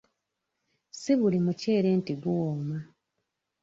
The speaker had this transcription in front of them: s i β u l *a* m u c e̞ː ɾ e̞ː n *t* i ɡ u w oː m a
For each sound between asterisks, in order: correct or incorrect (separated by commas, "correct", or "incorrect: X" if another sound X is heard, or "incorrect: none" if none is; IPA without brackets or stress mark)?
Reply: incorrect: i, correct